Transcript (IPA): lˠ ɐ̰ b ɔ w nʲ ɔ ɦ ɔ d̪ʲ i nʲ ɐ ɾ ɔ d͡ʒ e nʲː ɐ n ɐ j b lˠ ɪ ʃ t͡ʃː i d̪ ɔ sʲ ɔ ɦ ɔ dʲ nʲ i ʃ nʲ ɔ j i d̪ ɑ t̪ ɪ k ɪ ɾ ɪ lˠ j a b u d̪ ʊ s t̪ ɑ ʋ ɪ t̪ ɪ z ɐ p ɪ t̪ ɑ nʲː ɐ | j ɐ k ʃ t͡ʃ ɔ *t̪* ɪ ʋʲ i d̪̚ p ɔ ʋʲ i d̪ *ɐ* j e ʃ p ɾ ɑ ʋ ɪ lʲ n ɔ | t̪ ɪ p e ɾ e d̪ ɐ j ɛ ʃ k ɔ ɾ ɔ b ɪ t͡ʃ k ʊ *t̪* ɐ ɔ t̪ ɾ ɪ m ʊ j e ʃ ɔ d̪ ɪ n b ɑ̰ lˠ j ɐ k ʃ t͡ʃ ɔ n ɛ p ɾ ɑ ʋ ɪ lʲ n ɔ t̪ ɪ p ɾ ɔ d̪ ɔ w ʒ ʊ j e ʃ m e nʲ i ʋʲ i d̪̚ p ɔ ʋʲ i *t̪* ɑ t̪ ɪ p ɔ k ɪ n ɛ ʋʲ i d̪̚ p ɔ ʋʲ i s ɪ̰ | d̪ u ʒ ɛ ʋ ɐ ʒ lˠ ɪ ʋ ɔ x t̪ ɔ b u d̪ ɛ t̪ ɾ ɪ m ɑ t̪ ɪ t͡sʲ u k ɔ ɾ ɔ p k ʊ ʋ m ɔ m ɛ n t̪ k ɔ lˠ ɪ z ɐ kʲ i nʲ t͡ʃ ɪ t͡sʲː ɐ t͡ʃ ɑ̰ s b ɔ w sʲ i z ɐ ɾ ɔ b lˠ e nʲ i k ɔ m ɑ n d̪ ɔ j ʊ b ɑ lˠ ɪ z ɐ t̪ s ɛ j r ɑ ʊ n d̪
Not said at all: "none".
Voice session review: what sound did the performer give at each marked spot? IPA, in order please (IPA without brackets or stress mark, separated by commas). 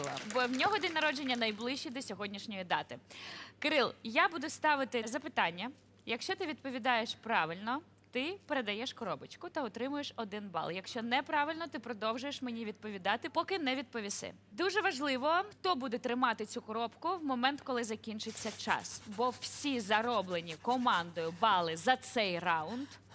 t̪, ɑ, t̪, d̪